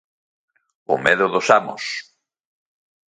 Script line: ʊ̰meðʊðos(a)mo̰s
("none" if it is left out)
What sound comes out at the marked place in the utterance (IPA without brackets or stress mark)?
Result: a